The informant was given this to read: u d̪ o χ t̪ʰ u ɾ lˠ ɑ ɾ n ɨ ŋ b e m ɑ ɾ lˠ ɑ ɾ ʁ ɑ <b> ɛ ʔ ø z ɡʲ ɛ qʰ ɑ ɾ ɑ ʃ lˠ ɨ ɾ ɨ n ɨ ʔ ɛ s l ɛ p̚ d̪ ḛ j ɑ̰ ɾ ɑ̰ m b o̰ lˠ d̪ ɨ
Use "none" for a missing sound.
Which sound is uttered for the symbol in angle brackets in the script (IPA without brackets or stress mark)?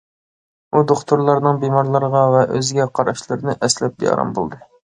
v